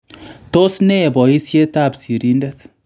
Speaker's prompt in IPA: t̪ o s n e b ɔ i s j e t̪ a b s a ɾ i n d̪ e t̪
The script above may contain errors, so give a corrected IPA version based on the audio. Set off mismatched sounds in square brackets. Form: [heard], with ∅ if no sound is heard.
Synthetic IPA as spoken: t̪ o s n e b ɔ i s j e t̪ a b s [i] ɾ i n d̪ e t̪